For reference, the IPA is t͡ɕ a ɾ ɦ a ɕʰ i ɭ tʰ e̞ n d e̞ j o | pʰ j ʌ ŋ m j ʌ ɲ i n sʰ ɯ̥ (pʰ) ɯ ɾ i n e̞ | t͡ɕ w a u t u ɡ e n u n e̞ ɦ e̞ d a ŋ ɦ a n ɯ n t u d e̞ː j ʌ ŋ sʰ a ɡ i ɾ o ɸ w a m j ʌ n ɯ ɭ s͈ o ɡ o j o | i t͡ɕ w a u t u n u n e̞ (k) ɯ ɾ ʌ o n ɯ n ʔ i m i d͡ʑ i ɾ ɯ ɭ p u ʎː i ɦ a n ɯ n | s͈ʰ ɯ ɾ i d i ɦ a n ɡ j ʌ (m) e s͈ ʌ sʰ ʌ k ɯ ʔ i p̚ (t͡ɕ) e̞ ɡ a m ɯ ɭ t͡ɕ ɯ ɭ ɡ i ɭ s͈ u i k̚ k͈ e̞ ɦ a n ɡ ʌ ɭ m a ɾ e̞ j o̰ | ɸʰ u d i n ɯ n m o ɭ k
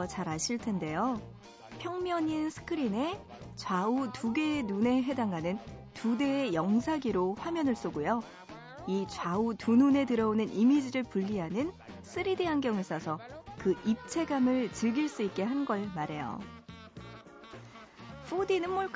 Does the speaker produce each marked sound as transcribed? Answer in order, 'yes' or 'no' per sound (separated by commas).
no, no, no, no